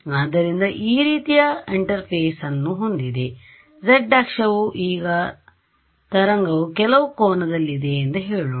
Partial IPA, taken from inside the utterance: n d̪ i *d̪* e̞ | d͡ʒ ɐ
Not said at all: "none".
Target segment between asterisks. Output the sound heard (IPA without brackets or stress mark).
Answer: d̪